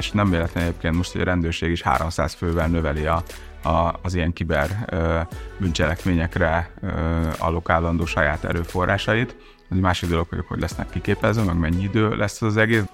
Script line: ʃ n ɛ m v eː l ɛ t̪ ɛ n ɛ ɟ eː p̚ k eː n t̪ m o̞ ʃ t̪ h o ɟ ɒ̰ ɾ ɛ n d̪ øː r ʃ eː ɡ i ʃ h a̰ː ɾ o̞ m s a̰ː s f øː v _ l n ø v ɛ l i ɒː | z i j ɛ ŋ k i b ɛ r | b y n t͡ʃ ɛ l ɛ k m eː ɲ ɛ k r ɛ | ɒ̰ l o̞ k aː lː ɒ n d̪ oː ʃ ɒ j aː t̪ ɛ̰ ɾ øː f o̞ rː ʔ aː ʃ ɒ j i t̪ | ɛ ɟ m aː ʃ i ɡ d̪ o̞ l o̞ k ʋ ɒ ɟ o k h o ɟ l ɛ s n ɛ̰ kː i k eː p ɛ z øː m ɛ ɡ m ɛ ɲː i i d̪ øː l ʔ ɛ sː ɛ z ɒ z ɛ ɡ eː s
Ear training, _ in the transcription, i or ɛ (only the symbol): ɛ